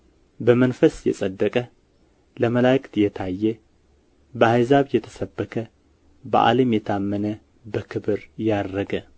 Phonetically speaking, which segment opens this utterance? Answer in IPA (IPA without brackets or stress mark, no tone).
b